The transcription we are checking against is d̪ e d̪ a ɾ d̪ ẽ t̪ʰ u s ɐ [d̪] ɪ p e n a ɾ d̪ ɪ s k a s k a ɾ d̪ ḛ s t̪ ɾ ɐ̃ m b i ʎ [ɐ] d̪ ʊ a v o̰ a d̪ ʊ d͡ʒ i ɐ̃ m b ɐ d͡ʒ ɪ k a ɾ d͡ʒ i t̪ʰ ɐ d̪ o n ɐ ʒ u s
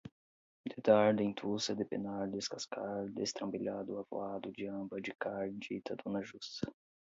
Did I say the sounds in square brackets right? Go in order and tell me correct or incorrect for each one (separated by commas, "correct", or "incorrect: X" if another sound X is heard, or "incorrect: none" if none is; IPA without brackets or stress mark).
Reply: correct, incorrect: a